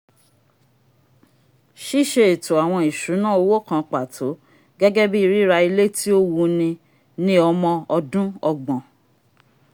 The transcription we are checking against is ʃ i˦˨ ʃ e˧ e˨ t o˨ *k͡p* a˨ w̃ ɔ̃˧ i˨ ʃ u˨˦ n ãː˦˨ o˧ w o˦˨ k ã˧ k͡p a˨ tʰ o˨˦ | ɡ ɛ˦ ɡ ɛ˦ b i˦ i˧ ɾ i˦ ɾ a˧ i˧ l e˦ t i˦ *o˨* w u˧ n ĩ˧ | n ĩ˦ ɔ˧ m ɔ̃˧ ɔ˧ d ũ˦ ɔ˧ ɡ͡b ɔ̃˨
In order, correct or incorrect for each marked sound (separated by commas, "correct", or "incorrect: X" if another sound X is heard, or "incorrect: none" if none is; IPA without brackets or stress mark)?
incorrect: none, incorrect: o˦